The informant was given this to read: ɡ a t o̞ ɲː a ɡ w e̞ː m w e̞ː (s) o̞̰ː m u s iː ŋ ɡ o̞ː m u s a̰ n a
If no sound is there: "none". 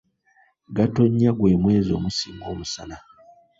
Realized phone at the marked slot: z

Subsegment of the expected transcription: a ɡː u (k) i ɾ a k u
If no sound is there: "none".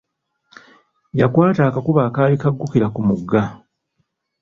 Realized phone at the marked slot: k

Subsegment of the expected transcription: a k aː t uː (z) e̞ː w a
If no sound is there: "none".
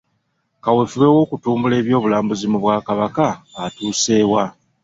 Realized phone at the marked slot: s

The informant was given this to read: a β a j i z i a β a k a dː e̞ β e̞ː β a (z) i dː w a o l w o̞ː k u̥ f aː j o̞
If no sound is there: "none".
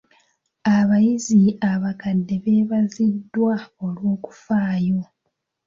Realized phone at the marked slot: z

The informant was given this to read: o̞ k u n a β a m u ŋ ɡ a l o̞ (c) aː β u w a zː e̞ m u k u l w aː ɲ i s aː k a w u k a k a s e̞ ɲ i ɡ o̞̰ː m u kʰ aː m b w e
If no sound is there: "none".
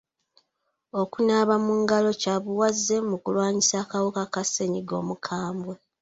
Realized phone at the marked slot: c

